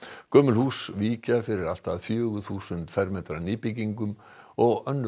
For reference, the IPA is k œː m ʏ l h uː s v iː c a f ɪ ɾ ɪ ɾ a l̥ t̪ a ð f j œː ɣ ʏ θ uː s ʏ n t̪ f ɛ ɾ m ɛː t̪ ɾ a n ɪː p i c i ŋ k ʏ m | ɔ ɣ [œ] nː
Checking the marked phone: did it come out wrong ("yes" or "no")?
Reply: no